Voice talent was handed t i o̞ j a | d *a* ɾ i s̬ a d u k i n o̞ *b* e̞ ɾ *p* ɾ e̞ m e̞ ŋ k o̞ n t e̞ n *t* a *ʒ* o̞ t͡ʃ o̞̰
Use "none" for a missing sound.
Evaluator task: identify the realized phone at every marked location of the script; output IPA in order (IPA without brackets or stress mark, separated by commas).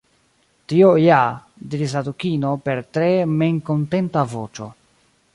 i, p, t, t, v